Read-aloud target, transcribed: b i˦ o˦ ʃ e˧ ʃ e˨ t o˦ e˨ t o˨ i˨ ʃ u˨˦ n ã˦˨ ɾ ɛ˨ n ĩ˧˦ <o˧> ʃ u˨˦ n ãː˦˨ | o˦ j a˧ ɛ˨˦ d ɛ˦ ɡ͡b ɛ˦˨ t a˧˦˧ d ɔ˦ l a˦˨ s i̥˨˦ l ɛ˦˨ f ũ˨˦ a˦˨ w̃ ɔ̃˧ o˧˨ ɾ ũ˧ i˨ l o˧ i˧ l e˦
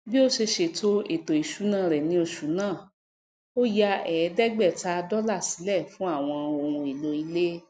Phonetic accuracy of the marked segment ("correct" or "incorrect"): correct